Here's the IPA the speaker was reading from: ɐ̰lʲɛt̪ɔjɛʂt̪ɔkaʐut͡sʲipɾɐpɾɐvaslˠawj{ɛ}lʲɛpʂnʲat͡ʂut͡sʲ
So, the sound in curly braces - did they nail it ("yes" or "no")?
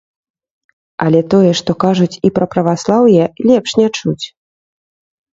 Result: yes